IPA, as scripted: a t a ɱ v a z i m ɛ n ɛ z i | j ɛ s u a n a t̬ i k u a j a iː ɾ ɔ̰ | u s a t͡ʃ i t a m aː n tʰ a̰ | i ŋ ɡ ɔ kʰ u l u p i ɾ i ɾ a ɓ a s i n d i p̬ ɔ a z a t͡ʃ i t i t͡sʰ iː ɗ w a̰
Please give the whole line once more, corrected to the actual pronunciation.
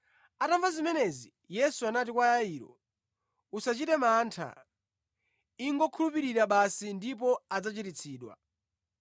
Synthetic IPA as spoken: a t a ɱ v a z i m ɛ n ɛ z i | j ɛ s u a n a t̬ i k w a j a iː ɾ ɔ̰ | u s a t͡ʃ i t ɛ m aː n tʰ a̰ | i ŋ ɡ ɔ kʰ u l u p i ɾ i ɾ a ɓ a s i n d i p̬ ɔ a d͡z a t͡ʃ i t i t͡sʰ iː ɗ w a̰